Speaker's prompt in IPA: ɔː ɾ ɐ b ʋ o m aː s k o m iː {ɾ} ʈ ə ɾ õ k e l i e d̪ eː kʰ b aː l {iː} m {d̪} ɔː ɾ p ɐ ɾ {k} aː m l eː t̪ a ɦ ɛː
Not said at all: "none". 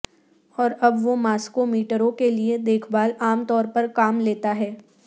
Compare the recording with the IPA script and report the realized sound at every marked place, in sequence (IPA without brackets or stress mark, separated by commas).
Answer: none, aː, t̪, k